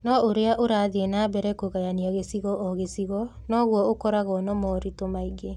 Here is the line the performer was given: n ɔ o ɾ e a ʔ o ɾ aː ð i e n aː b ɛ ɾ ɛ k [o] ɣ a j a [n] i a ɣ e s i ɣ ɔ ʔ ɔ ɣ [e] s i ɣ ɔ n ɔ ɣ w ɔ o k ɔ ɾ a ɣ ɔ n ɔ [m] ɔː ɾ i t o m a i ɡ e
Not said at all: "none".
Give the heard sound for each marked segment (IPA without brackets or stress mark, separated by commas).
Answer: o, n, e, m